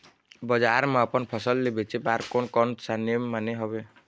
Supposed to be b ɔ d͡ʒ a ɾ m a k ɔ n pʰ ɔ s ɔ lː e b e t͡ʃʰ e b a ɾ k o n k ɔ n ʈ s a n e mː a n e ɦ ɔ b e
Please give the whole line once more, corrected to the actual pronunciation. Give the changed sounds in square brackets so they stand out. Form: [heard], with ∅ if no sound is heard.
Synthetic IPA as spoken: b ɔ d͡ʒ a ɾ m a [p] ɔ n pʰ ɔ s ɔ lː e b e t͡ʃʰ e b a ɾ k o n k ɔ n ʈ s a n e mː a n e ɦ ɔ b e